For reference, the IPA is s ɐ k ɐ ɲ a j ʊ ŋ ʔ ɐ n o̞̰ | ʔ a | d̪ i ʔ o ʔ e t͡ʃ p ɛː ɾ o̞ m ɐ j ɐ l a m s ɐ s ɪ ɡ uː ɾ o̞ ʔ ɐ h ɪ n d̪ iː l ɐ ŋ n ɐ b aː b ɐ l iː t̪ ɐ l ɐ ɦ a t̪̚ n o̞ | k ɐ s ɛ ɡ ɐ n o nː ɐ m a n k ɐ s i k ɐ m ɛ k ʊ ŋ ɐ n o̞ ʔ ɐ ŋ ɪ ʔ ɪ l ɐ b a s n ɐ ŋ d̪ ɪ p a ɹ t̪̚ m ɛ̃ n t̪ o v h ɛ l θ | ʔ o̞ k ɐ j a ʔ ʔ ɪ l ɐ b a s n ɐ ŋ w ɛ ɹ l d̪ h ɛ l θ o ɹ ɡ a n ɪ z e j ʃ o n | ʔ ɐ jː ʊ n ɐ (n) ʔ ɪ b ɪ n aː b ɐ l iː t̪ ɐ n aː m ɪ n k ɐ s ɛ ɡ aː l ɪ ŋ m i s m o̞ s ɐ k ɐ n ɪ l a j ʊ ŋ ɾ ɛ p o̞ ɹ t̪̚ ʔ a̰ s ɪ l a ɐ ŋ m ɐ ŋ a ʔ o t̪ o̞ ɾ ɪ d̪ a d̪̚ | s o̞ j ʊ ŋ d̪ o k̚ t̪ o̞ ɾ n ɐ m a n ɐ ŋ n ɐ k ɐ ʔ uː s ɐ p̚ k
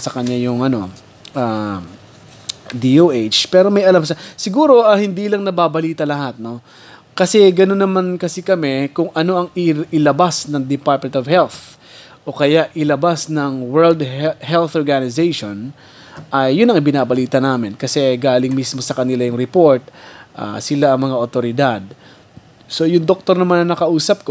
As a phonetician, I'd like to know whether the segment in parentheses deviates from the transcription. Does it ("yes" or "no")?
yes